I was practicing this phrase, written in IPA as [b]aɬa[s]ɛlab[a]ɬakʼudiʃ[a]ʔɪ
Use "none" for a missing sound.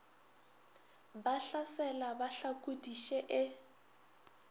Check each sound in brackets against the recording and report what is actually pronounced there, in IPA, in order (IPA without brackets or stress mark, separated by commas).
b, s, a, ɛ